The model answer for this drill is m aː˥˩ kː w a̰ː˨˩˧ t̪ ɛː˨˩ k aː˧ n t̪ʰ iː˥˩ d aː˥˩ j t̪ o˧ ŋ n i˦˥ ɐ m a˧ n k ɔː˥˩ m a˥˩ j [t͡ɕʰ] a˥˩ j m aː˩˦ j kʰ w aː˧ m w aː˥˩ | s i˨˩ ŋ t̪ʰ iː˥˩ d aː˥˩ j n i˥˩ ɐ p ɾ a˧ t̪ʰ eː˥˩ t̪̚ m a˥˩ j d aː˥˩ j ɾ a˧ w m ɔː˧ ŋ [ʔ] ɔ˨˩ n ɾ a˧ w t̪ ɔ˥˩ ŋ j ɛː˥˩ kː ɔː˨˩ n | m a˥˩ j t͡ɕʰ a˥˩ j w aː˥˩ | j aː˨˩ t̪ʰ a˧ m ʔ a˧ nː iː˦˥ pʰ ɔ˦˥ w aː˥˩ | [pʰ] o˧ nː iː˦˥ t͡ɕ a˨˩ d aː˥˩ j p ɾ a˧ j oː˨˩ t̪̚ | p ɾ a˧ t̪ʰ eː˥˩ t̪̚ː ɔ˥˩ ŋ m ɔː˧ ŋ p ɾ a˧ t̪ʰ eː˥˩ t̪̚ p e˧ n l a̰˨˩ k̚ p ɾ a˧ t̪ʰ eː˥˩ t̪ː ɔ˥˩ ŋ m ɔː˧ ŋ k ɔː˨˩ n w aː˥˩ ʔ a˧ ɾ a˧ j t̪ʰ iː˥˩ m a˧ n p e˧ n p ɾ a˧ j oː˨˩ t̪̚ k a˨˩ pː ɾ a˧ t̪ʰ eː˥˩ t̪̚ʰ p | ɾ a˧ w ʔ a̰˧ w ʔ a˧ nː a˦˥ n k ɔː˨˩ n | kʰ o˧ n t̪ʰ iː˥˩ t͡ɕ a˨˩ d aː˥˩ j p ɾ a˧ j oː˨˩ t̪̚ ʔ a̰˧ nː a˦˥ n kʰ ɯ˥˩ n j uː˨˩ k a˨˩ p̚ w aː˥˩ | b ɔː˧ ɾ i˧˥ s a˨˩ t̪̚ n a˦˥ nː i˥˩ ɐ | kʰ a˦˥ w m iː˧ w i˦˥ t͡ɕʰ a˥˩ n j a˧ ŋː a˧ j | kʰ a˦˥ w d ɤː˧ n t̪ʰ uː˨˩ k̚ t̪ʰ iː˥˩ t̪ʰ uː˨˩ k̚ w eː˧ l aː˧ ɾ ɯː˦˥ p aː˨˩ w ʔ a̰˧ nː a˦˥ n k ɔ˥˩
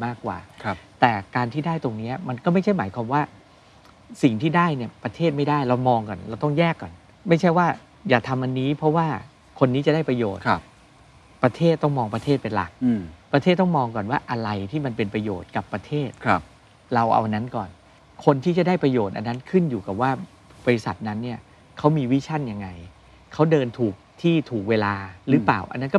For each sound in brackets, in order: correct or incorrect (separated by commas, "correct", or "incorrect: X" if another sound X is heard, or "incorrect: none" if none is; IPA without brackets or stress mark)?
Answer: correct, incorrect: k, incorrect: kʰ